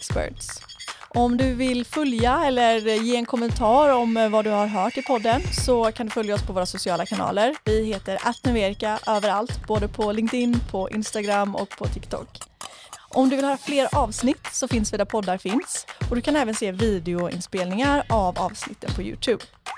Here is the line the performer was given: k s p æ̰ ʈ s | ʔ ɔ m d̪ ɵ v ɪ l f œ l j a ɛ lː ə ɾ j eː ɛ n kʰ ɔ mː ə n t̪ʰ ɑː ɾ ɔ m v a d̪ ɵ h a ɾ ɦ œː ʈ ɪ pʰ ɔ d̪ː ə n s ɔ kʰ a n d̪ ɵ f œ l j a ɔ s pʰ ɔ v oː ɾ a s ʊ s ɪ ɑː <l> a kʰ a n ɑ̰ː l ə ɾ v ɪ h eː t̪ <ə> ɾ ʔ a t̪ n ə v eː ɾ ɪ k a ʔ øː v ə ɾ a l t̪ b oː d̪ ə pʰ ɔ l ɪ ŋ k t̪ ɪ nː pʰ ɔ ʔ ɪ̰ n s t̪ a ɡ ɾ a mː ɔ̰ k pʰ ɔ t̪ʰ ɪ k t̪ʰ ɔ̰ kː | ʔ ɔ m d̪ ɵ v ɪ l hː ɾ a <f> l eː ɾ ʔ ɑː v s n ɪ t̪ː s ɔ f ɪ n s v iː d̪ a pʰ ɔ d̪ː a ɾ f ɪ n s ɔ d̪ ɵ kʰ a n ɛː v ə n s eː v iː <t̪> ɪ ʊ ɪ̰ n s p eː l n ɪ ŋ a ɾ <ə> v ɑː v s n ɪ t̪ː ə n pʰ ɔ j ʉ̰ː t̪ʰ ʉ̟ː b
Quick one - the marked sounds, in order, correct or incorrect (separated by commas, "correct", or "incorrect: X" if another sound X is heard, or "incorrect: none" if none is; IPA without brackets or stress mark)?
correct, correct, correct, incorrect: d̪, incorrect: a